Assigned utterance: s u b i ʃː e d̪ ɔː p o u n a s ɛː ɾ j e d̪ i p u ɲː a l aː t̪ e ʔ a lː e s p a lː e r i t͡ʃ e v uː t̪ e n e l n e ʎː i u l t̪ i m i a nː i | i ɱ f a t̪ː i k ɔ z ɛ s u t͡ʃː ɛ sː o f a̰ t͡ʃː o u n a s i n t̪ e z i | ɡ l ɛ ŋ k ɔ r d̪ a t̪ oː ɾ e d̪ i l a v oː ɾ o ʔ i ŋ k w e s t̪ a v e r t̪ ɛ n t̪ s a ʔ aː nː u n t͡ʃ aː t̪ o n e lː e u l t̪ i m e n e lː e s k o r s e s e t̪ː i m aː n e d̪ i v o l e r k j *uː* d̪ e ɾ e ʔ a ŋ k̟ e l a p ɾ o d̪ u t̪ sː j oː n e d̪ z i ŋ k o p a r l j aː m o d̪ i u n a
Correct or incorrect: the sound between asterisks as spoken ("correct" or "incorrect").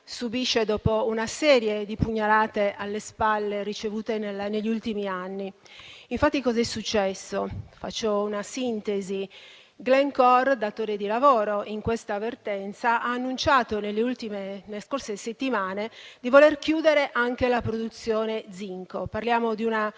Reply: correct